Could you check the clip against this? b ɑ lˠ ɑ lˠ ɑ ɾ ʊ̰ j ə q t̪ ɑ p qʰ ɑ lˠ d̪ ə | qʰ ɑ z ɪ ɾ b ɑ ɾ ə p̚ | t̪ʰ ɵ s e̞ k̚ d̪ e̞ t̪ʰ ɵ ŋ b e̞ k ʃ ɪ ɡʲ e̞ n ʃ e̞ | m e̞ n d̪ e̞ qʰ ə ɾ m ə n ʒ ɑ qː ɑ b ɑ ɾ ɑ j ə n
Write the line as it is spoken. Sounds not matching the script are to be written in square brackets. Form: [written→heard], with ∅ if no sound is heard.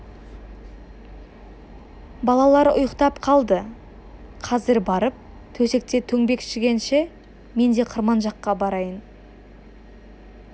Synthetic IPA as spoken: b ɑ lˠ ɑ lˠ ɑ ɾ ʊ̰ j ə q t̪ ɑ p qʰ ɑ lˠ d̪ ə | qʰ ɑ z ɪ ɾ b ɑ ɾ ə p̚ | t̪ʰ ɵ s e̞ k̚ [d̪→t̪] e̞ t̪ʰ ɵ ŋ b e̞ k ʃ ɪ ɡʲ e̞ n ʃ e̞ | m e̞ n d̪ e̞ qʰ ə ɾ m [ə→ɑ] n ʒ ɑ qː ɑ b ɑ ɾ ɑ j ə n